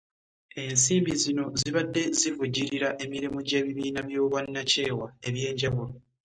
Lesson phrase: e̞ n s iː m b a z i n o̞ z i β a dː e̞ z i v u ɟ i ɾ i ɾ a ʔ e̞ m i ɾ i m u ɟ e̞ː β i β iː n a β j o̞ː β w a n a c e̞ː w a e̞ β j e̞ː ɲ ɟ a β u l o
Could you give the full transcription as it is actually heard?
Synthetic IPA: e̞ n s iː m b i z i n o̞ z i β a dː e̞ z i v u ɟ i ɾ i ɾ a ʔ e̞ m i ɾ i m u ɟ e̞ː β i β iː n a β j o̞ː β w a nː a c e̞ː w a e̞ β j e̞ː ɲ ɟ a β u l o